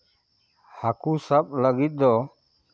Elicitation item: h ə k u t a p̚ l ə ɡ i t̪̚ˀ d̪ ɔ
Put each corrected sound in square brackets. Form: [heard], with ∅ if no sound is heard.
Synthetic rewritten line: h [a] k u [s] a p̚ l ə ɡ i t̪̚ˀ d̪ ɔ